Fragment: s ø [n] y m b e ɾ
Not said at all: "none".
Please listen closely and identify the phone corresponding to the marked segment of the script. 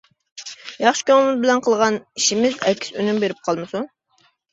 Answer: n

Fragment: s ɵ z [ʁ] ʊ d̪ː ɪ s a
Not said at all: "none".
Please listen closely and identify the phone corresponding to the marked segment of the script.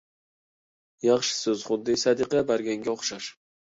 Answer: χ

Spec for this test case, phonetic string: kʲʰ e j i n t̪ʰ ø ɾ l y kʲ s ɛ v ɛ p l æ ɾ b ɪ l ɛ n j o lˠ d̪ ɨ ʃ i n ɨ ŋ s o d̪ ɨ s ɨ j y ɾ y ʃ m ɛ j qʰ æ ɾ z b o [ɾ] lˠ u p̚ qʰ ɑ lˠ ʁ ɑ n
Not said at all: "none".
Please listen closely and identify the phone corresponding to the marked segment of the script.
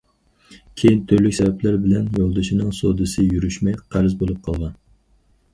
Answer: none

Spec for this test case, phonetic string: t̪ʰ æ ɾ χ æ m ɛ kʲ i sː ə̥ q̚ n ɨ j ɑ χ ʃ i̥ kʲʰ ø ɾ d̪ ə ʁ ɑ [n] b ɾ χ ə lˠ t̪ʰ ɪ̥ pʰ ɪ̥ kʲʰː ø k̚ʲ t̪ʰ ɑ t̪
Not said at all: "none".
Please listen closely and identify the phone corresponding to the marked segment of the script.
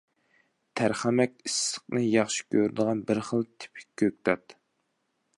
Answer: n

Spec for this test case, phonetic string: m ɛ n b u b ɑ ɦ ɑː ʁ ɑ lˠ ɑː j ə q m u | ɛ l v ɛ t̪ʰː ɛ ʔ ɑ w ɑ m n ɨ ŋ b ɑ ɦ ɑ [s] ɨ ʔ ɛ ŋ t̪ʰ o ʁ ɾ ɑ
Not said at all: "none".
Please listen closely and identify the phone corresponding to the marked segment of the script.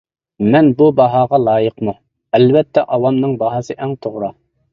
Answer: s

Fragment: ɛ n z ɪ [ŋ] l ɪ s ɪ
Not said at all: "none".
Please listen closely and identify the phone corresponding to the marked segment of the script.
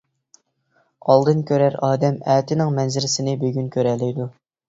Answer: none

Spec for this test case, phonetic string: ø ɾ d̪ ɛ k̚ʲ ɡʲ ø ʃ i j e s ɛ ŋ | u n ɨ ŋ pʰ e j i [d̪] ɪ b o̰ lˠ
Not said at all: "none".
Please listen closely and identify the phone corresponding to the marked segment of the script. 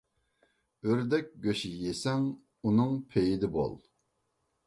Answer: d̪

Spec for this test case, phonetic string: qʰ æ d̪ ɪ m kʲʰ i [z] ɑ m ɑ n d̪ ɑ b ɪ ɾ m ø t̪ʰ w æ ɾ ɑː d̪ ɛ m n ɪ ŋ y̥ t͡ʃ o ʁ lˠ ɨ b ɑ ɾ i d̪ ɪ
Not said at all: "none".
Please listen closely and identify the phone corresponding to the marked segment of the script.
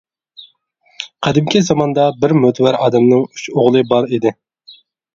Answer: z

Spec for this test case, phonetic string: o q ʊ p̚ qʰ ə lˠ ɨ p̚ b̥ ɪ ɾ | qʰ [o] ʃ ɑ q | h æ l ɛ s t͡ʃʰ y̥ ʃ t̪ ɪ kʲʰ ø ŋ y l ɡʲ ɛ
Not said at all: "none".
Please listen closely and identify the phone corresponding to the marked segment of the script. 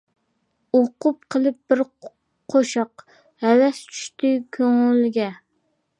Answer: o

